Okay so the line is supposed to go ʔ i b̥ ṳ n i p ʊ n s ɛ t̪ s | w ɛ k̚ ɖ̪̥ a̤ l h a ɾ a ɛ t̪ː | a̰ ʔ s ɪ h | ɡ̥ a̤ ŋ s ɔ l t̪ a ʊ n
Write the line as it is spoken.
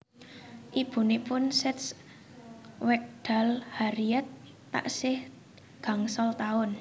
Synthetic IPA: ʔ i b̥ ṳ n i p ʊ n s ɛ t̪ s | w ɛ k̚ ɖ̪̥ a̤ l h a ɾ i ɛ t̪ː | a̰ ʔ s ɪ h | ɡ̥ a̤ ŋ s ɔ l t̪ a ʊ n